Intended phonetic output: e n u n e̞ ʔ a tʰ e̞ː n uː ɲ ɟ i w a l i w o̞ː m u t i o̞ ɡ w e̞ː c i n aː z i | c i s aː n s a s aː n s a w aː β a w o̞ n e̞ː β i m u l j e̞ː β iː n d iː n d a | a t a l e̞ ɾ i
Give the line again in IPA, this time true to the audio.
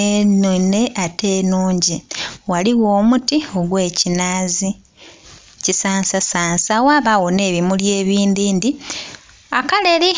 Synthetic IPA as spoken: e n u n e̞ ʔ a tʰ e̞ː n uː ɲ ɟ i w a l i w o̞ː m u t i o̞ ɡ w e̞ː c i n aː z i | c i s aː n s a s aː n s a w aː β a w o̞ n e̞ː β i m u l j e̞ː β iː n d iː n d i | a k a l e̞ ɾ i